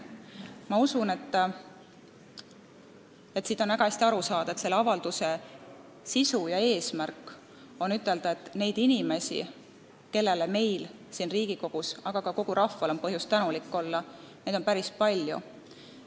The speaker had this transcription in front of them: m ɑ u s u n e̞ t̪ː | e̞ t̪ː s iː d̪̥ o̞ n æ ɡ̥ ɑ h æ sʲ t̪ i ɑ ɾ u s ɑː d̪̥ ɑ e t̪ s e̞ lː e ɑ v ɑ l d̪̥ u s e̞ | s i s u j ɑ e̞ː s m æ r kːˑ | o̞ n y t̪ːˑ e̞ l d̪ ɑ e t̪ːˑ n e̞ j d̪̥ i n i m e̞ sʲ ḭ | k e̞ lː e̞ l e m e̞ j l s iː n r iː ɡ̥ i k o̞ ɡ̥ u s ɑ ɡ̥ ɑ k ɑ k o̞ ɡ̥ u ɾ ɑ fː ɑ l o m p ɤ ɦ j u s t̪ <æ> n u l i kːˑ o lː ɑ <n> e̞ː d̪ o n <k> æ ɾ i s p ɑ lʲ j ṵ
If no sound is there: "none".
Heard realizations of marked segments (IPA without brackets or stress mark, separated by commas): æ, n, p